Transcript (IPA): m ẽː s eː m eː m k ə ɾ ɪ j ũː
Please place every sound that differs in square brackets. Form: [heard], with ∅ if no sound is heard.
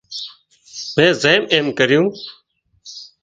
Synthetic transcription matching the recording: m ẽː [z] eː m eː m k ə ɾ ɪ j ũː